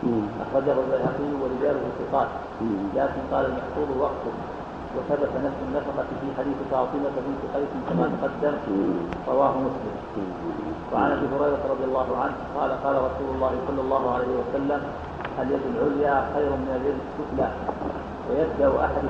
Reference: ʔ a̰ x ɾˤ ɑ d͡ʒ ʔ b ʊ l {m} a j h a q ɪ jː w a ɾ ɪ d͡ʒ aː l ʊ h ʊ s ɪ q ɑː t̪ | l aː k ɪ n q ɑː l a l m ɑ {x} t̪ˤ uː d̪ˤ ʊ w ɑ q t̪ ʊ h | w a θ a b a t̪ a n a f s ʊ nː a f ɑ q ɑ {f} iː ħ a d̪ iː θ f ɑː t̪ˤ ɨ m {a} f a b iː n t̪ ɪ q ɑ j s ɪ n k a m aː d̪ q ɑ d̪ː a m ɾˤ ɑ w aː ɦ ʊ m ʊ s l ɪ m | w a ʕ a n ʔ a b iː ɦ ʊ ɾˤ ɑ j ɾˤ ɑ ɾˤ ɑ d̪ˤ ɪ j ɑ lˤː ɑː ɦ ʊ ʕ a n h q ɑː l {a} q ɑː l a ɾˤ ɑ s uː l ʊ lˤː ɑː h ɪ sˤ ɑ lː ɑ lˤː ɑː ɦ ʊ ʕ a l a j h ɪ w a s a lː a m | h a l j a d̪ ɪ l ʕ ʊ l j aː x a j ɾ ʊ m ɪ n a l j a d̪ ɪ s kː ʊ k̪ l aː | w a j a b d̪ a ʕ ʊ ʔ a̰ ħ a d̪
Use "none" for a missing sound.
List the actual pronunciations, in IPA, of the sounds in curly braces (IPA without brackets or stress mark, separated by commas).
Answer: b, ħ, f, a, a